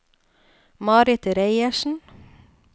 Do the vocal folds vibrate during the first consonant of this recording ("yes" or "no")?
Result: yes